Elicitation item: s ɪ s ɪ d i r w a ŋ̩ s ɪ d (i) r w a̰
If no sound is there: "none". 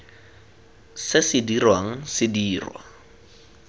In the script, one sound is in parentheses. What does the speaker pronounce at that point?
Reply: iː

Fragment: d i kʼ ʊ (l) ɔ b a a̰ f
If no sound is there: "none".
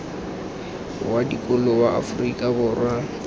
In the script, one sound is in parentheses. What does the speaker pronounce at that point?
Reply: l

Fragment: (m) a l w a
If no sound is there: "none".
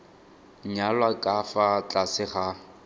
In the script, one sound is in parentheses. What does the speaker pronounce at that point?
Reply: ɲ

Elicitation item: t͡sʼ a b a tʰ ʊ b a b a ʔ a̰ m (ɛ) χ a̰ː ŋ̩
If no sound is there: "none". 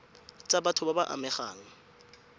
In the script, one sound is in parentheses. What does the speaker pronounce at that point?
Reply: ɛ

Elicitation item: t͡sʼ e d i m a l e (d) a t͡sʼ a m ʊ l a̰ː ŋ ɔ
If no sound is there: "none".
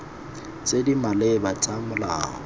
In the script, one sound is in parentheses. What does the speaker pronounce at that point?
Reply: b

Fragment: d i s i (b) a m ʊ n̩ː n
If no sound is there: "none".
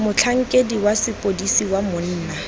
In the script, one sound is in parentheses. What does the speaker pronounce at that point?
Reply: w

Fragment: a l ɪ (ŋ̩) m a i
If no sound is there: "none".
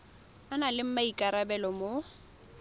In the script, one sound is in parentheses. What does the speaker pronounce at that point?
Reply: m̩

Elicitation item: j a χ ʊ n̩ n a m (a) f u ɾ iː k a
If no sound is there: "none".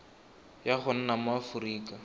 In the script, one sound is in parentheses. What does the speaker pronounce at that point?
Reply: a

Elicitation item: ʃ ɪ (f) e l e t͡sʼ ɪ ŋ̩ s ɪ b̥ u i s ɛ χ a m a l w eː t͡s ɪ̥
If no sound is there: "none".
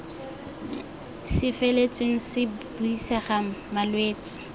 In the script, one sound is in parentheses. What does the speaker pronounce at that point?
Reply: f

